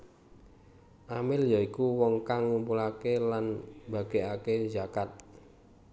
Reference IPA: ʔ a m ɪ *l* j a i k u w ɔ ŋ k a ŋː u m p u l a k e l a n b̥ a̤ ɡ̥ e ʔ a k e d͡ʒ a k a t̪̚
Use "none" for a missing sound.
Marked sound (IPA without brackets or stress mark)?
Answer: l